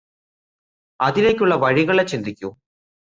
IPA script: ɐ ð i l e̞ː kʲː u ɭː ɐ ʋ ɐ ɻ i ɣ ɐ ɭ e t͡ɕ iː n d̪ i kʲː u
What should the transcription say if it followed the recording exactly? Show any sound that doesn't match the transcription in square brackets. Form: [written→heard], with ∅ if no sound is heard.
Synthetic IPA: ɐ ð i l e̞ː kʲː u ɭː ɐ ʋ ɐ ɻ i ɣ ɐ ɭ e t͡ɕ [iː→i] n d̪ i kʲː u

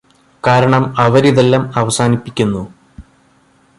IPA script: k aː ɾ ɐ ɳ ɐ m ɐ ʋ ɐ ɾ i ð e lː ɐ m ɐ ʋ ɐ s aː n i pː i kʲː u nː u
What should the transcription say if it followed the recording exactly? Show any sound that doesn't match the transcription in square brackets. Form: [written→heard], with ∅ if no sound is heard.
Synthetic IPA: k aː ɾ ɐ ɳ ɐ m ɐ ʋ ɐ ɾ i ð e lː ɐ m ɐ ʋ ɐ s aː n i pː i kʲː u nː u

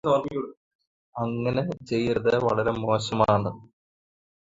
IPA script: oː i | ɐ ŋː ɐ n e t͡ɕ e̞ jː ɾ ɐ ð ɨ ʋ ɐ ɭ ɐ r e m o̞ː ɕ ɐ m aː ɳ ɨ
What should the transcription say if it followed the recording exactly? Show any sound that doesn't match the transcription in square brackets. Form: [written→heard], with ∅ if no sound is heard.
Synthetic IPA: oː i | ɐ ŋː ɐ n e t͡ɕ e̞ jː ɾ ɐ ð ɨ ʋ ɐ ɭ ɐ [r→ɾ] e m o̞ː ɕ ɐ m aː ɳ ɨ

